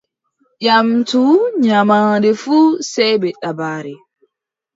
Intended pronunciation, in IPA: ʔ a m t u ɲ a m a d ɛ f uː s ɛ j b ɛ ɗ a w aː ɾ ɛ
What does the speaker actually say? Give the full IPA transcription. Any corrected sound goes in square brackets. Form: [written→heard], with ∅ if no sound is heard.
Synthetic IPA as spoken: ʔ a m t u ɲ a m a d ɛ f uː s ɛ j b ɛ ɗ a [w→b] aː ɾ ɛ